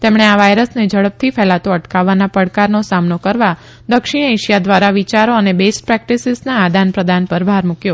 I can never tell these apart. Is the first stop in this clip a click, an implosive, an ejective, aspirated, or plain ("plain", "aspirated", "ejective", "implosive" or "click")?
plain